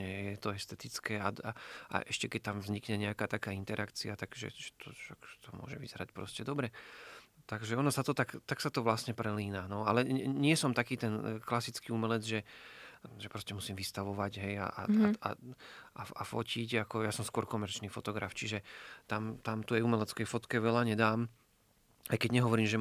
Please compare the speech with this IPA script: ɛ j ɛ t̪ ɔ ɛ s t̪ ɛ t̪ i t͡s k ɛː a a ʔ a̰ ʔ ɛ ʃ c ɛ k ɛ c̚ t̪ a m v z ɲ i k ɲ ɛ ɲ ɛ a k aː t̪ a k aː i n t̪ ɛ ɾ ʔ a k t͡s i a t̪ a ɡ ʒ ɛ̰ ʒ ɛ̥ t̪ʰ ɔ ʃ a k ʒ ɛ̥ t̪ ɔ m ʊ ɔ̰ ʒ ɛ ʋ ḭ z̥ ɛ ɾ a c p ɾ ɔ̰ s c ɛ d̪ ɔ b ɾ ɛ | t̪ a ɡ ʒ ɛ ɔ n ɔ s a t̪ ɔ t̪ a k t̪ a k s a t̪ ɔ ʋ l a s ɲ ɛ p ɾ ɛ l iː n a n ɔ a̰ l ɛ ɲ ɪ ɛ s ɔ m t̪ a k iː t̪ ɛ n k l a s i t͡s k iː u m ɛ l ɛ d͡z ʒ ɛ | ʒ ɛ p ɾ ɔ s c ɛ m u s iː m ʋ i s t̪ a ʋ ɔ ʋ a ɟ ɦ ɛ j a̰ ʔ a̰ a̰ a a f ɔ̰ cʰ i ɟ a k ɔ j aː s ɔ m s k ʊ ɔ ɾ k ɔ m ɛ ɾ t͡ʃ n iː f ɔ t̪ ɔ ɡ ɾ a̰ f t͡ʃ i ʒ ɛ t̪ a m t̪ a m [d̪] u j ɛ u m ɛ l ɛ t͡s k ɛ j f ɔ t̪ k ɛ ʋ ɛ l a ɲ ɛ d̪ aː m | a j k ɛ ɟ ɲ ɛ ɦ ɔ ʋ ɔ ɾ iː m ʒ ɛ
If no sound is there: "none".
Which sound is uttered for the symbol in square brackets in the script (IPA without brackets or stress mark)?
t̪